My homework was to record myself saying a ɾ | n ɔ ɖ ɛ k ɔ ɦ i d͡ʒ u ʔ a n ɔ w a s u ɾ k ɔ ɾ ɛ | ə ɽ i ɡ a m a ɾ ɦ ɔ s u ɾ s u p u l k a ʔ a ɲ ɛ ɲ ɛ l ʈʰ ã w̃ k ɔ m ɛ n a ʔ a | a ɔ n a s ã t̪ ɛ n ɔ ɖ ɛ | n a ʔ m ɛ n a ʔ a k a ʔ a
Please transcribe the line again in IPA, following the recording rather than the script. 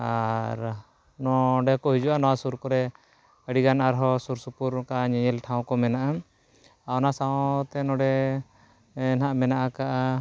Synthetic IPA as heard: a ɾ | n ɔ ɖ ɛ k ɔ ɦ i d͡ʒ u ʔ a n ɔ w a s u ɾ k ɔ ɾ ɛ | ə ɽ i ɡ a n a ɾ ɦ ɔ s u ɾ s u p u ɾ k a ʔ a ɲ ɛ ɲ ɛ l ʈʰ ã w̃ k ɔ m ɛ n a ʔ a | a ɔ n a s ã t̪ ɛ n ɔ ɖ ɛ | n a ʔ m ɛ n a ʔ a k a ʔ a